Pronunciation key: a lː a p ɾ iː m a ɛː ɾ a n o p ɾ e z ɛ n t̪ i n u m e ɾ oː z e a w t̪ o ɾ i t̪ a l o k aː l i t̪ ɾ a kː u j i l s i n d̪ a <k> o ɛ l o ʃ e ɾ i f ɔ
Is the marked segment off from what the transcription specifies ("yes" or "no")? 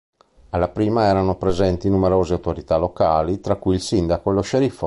no